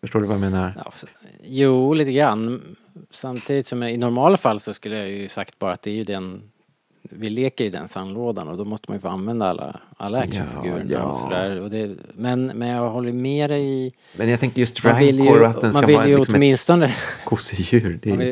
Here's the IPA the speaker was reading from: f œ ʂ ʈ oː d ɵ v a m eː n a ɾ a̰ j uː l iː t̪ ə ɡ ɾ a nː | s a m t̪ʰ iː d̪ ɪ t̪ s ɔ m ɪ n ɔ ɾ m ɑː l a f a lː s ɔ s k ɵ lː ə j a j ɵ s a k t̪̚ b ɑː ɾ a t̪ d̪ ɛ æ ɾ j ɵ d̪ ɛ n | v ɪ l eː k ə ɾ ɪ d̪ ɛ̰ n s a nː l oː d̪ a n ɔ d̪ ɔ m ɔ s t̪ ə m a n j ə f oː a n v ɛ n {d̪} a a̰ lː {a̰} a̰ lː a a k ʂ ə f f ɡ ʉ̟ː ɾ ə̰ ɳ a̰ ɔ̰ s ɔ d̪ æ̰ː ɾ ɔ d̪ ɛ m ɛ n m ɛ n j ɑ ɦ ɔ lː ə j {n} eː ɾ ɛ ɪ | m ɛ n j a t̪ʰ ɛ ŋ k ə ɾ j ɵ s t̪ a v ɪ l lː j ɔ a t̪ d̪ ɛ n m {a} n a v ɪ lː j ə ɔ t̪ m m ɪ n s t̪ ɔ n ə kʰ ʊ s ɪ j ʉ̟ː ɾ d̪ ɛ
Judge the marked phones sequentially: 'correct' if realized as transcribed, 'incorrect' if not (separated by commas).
correct, correct, incorrect, correct